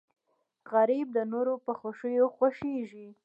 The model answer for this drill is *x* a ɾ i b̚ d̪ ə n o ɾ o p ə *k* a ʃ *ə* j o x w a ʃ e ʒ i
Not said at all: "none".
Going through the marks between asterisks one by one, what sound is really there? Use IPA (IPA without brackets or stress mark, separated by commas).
ɣ, x, ə